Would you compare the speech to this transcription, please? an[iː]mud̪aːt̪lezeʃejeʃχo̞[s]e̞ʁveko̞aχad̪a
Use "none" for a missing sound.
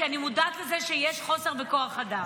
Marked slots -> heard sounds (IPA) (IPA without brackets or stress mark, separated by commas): i, s